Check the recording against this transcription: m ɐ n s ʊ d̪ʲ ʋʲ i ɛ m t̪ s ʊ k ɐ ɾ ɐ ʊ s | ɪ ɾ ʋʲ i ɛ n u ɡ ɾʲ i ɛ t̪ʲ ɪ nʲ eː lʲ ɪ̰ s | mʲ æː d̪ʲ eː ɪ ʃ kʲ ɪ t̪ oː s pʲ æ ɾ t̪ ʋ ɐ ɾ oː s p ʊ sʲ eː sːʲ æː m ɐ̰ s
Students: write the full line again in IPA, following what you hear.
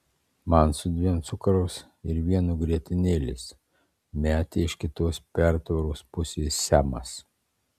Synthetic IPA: m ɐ n s ʊ d̪ʲ ʋʲ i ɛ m t̪ s ʊ k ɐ ɾ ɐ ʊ s | ɪ ɾ ʋʲ i ɛ n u ɡ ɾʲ i ɛ t̪ʲ ɪ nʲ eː lʲ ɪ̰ s | mʲ æː t̪ʲ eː ɪ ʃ kʲ ɪ t̪ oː s pʲ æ ɾ t̪ ʋ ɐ ɾ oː s p ʊ sʲ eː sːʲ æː m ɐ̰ s

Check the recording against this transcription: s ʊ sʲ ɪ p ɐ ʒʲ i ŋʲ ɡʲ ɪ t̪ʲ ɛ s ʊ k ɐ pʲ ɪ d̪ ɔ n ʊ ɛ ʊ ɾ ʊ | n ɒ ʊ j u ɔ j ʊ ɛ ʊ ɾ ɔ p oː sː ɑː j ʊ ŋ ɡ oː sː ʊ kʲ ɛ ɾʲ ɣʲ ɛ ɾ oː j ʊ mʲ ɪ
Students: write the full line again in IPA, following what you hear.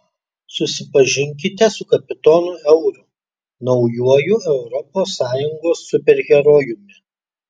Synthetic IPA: s ʊ sʲ ɪ p ɐ ʒʲ ɪ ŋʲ kʲ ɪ t̪ʲ ɛ s ʊ k ɐ pʲ ɪ t̪ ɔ n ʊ ɛ ʊ ɾ ʊ | n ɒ ʊ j u ɔ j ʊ ɛ ʊ ɾ ɔ p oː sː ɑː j ʊ ŋ ɡ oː sː ʊ pʲ ɛ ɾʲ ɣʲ ɛ ɾ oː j ʊ mʲ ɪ

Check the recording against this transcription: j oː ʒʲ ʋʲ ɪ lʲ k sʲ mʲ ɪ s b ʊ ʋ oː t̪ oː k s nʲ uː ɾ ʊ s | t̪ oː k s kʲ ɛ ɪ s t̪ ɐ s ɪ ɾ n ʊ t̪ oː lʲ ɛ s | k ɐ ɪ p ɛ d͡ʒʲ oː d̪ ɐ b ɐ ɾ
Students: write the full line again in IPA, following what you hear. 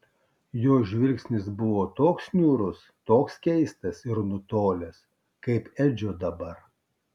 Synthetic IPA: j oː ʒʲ ʋʲ ɪ lʲ k sʲ nʲ ɪ s b ʊ ʋ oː t̪ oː k s nʲ uː ɾ ʊ s | t̪ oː k s kʲ ɛ ɪ s t̪ ɐ s ɪ ɾ n ʊ t̪ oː lʲ ɛ s | k ɐ ɪ p ɛ d͡ʒʲ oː d̪ ɐ b ɐ ɾ

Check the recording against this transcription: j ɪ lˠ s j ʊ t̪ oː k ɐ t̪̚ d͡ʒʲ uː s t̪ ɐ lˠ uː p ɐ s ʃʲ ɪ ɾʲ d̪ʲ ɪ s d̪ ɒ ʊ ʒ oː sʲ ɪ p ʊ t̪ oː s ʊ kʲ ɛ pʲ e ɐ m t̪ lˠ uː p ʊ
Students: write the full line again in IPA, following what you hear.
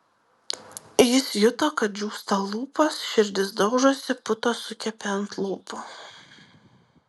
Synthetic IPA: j ɪ s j ʊ t̪ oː k ɐ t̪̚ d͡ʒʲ uː s t̪ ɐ lˠ uː p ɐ s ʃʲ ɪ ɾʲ d̪ʲ ɪ s d̪ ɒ ʊ ʒ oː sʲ ɪ p ʊ t̪ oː s ʊ kʲ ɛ pʲ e ɐ n t̪ lˠ uː p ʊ

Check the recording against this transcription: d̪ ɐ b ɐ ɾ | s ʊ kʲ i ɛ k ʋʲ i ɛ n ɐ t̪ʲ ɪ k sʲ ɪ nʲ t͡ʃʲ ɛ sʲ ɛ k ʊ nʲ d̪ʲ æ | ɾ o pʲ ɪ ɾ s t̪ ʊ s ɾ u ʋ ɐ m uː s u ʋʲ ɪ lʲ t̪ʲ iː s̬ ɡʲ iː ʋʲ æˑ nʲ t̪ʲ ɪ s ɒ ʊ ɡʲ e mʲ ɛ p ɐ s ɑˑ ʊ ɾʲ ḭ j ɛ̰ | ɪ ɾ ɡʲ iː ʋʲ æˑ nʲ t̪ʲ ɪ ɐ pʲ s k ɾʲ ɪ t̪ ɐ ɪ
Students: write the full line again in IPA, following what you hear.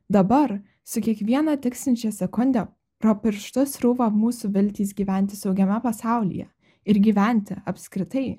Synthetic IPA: d̪ ɐ b ɐ ɾ | s ʊ kʲ i ɛ k ʋʲ i ɛ n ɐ t̪ʲ ɪ k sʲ ɪ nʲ t͡ʃʲ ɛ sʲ ɛ k ʊ nʲ d̪ʲ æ | ɾ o pʲ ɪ ɾ ʃ t̪ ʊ s ɾ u ʋ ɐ m uː s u ʋʲ ɪ lʲ t̪ʲ iː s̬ ɡʲ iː ʋʲ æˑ nʲ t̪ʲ ɪ s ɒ ʊ ɡʲ ɛ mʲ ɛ p ɐ s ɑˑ ʊ lʲ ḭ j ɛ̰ | ɪ ɾ ɡʲ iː ʋʲ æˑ nʲ t̪ʲ ɪ ɐ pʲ s k ɾʲ ɪ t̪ ɐ ɪ

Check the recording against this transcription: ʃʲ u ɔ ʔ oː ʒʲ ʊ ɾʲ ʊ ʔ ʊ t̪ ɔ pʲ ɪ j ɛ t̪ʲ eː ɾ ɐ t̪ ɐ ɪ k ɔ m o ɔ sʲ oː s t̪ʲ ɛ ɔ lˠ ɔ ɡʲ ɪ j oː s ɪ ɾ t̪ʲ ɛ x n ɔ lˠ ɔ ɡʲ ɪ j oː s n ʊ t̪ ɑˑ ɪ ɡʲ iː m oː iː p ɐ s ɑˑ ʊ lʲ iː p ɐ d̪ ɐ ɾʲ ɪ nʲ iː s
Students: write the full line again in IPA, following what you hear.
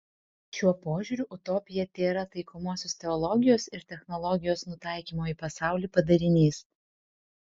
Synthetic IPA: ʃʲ u ɔ p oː ʒʲ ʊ ɾʲ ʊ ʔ ʊ t̪ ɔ pʲ ɪ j ɛ t̪ʲ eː ɾ ɐ t̪ ɐ ɪ k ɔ m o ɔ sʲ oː s t̪ʲ ɛ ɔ lˠ ɔ ɡʲ ɪ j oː s ɪ ɾ t̪ʲ ɛ x n ɔ lˠ ɔ ɡʲ ɪ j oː s n ʊ t̪ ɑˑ ɪ kʲ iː m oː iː p ɐ s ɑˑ ʊ lʲ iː p ɐ d̪ ɐ ɾʲ ɪ nʲ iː s

